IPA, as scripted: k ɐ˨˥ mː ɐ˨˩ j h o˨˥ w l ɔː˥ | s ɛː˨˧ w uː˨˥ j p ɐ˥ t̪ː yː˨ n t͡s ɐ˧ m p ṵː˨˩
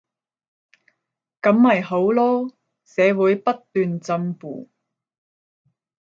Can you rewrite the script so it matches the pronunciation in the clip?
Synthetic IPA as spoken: k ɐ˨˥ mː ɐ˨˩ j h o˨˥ w l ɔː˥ | s ɛː˨˧ w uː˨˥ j p ɐ˥ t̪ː yː˨ n t͡s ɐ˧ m p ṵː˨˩